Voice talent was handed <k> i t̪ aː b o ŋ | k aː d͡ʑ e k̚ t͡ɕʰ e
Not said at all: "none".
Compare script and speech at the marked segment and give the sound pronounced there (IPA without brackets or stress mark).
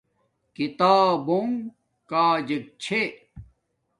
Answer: k